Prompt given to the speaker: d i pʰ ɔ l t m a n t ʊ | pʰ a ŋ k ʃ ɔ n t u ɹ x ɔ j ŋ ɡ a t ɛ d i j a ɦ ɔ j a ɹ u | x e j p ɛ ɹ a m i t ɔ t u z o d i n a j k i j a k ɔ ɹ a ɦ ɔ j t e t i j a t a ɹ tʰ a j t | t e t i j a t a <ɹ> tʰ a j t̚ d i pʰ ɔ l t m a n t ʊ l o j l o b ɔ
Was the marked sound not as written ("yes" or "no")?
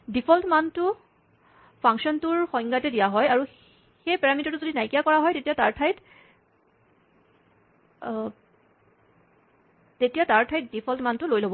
no